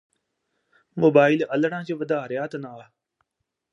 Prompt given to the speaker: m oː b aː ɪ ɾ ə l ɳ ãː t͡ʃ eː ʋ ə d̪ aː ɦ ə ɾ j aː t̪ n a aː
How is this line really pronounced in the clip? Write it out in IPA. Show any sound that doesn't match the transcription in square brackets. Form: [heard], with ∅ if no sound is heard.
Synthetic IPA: m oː b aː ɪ [l] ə l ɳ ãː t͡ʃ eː ʋ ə d̪ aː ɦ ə ɾ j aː t̪ n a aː